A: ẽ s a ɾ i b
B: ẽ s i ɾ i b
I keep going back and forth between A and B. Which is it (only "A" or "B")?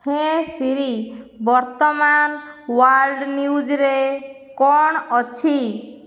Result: B